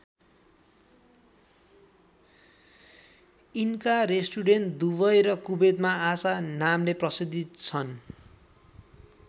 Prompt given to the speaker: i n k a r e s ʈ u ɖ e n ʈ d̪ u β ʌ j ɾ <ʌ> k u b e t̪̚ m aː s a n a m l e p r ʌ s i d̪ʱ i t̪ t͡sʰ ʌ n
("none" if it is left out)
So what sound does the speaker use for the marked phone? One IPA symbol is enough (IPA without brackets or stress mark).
ʌ